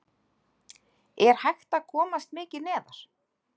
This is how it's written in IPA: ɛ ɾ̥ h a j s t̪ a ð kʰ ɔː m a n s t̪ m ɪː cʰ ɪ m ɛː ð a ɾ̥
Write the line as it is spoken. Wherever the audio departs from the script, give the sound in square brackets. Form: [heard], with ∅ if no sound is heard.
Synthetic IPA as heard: ɛ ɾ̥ h a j [x] t̪ a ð kʰ ɔː m a [∅] s t̪ m ɪː [c] ɪ [n] ɛː ð a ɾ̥